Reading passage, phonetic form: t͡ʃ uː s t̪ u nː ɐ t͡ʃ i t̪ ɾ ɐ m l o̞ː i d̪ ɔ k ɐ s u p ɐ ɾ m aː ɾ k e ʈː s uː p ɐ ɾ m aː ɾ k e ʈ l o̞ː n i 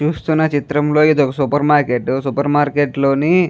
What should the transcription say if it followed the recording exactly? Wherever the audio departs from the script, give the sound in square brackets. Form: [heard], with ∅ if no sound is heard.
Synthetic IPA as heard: t͡ʃ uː s t̪ u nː ɐ t͡ʃ i t̪ ɾ ɐ m l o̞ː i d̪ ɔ k ɐ s u p ɐ ɾ m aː ɾ k e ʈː s [u] p ɐ ɾ m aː ɾ k e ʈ l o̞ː n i